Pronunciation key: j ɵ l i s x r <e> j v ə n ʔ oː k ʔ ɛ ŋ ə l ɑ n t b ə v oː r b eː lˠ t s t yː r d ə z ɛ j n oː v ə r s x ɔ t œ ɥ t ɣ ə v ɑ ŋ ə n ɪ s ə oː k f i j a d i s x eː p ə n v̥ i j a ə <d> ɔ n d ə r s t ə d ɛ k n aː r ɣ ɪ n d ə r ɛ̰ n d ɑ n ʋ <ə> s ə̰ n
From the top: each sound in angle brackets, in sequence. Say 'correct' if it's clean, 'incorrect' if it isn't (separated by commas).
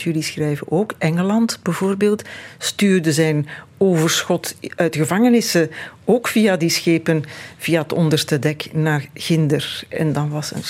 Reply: incorrect, incorrect, incorrect